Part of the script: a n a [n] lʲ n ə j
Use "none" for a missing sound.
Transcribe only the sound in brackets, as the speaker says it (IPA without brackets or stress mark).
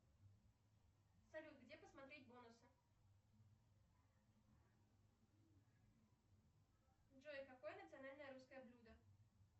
none